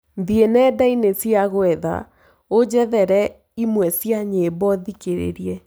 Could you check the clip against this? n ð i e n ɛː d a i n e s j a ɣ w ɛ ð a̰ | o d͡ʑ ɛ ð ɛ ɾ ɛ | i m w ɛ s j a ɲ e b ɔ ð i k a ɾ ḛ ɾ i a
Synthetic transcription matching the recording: n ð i e n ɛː d a i n e s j a ɣ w ɛ ð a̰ | o d͡ʑ ɛ ð ɛ ɾ ɛ | i m w ɛ s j a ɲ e b ɔ ð i k e ɾ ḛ ɾ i ɛ